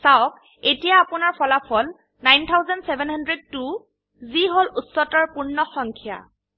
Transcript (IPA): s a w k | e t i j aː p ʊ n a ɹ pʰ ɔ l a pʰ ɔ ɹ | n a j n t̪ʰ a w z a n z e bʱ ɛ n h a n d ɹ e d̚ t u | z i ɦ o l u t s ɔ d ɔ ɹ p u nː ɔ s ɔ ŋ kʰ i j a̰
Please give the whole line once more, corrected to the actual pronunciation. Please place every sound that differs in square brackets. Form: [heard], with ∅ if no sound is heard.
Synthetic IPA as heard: s a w k | e t i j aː p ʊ n a ɹ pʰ ɔ l a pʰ ɔ [l] | n a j n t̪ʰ a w z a n [s] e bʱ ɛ n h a n d ɹ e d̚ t u | z i ɦ o l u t s ɔ [t] ɔ ɹ p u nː ɔ [x] ɔ ŋ kʰ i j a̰

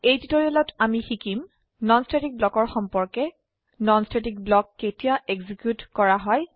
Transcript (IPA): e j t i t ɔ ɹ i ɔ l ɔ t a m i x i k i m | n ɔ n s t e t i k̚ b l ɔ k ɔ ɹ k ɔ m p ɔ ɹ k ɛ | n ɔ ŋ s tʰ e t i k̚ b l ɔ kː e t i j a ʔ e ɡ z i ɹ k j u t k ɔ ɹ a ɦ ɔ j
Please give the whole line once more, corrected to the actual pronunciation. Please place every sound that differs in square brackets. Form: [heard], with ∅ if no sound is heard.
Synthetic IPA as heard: e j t i t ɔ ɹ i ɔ l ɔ t a m i x i k i m | n ɔ n s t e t i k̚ b l ɔ k ɔ ɹ [x] ɔ m p ɔ ɹ k ɛ | n ɔ [n] s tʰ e t i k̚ b l ɔ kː e t i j a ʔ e ɡ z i [∅] k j u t k ɔ ɹ a ɦ ɔ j

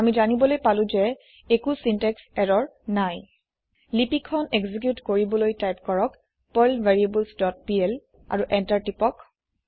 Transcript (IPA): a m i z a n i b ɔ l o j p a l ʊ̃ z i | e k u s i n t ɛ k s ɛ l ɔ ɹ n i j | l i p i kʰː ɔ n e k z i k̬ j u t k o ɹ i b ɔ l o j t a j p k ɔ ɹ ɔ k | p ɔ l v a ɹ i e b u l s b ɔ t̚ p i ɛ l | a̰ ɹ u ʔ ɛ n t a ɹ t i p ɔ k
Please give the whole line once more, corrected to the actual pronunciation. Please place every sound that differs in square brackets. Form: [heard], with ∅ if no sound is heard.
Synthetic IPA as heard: a m i z a n i b ɔ l o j p a l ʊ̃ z [ɛ] | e k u s i n t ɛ k s ɛ [ɹ] ɔ ɹ n [a] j | l i p i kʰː ɔ n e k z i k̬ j u t k o ɹ i b ɔ l o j t a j p k ɔ ɹ ɔ k | p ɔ l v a ɹ i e b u l s [d] ɔ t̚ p i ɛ l | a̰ ɹ u ʔ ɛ n t a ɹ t i p ɔ k

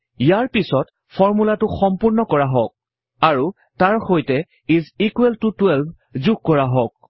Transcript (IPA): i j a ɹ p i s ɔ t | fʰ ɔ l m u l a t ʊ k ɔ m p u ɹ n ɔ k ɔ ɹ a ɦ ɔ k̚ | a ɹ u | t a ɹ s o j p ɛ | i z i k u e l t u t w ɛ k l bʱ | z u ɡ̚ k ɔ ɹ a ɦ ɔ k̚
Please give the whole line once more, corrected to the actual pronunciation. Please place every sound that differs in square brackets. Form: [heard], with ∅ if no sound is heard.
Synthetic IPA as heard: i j a ɹ p i s ɔ t | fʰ ɔ [ɹ] m u l a t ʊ [x] ɔ m p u ɹ n ɔ k ɔ ɹ a ɦ ɔ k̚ | a ɹ u | t a ɹ [x] o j [t] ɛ | i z i k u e l t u t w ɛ [∅] l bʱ | z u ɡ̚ k ɔ ɹ a ɦ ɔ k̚

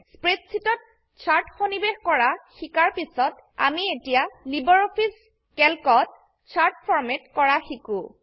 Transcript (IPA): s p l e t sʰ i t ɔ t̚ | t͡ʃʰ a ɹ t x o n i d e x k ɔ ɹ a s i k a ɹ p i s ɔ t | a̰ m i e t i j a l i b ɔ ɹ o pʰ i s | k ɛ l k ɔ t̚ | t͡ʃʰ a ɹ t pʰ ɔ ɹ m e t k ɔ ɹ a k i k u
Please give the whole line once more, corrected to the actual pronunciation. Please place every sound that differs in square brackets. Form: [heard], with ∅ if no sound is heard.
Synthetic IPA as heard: s p [ɹ] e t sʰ i t ɔ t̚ | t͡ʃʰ a ɹ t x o n i [b] e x k ɔ ɹ a [x] i k a ɹ p i s ɔ t | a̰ m i e t i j a l i b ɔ ɹ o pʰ i s | k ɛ l k ɔ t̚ | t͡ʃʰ a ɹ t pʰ ɔ ɹ m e t k ɔ ɹ a [x] i k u

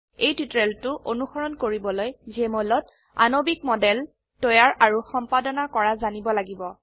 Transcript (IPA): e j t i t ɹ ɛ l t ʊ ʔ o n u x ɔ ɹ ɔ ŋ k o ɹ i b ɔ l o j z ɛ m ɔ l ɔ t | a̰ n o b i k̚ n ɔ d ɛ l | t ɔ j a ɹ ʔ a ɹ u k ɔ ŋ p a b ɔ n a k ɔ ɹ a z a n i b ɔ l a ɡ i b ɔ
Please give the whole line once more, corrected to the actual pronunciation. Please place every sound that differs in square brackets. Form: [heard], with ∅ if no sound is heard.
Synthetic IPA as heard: e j t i t ɹ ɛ l t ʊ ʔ o n u x ɔ ɹ ɔ [n] k o ɹ i b ɔ l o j z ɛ m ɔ l ɔ t | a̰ n o b i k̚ [m] ɔ d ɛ l | t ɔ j a ɹ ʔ a ɹ u [x] ɔ [m] p a [d] ɔ n a k ɔ ɹ a z a n i b ɔ l a ɡ i b ɔ

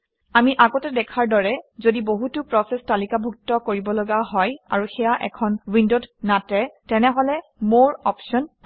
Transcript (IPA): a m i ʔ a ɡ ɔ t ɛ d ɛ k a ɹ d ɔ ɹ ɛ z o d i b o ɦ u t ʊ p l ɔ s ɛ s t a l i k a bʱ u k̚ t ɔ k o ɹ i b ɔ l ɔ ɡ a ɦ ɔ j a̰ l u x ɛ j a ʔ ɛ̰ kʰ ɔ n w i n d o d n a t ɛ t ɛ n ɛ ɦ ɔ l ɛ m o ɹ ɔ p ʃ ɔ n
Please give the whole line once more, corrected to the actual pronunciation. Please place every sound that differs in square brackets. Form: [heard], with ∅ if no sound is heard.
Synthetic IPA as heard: a m i ʔ a ɡ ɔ t ɛ d ɛ [kʰ] a ɹ d ɔ ɹ ɛ z o d i b o ɦ u t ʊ p [ɹ] ɔ s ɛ s t a l i k a bʱ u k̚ t ɔ k o ɹ i b ɔ l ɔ ɡ a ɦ ɔ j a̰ [ɹ] u x ɛ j a ʔ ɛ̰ kʰ ɔ n w i n d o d n a t ɛ t ɛ n ɛ ɦ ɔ l ɛ m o ɹ ɔ p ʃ ɔ n

